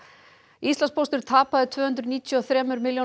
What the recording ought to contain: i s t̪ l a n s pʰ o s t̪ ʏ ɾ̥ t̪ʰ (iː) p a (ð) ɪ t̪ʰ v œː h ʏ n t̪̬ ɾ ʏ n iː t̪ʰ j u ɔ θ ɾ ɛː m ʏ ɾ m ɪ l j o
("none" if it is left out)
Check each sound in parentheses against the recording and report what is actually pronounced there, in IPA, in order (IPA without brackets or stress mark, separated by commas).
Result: aː, ð